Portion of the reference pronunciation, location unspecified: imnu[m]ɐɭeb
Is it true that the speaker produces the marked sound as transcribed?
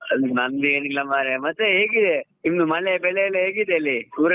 yes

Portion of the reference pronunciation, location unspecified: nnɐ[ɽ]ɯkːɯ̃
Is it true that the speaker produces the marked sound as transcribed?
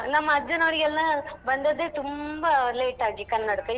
yes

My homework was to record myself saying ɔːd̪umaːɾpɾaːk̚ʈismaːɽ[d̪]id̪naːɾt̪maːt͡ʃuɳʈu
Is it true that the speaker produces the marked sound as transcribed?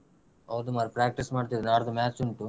no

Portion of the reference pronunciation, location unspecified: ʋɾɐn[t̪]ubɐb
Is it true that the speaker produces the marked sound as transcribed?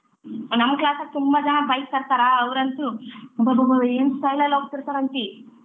yes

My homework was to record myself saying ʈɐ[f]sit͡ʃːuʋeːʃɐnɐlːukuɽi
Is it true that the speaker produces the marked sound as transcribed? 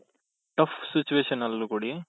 yes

